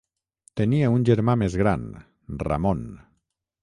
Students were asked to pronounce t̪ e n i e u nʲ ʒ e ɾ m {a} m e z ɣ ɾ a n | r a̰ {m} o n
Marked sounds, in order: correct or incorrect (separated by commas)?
correct, correct